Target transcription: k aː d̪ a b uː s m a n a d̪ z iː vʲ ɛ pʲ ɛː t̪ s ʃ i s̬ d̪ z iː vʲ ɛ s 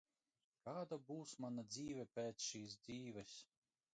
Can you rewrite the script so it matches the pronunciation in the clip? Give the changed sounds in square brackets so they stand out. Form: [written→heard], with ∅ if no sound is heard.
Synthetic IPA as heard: k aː d̪ a b uː s m a n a d̪ z iː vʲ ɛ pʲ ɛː t̪ s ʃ [i→iː] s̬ d̪ z iː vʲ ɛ s